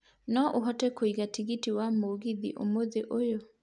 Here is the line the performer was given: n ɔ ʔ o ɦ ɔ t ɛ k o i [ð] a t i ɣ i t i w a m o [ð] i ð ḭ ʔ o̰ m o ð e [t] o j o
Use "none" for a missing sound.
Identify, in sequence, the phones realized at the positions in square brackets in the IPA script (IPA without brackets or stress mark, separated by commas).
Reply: ɣ, ɣ, ʔ